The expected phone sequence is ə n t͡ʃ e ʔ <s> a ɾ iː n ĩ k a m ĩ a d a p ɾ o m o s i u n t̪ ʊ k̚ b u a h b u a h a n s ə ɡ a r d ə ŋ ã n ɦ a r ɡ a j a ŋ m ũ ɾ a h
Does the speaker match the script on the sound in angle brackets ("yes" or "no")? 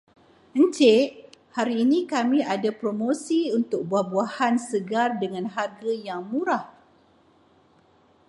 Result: no